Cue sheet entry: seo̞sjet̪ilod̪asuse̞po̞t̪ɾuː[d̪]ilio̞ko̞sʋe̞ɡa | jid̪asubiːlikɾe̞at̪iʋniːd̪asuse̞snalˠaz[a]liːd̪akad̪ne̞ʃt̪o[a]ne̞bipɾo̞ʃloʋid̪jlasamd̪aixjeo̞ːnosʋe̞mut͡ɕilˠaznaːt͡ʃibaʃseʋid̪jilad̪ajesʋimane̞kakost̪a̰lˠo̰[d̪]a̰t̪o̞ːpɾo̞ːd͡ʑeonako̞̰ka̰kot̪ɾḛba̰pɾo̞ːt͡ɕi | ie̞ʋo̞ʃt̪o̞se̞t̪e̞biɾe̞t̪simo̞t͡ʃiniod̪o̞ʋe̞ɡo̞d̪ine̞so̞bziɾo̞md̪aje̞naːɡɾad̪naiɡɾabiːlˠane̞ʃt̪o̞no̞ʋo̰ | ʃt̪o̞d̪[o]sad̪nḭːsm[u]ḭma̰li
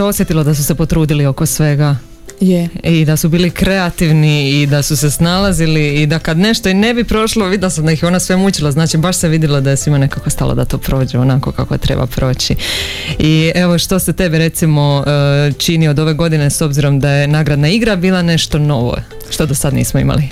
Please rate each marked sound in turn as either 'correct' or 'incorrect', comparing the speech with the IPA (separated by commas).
correct, incorrect, incorrect, correct, correct, incorrect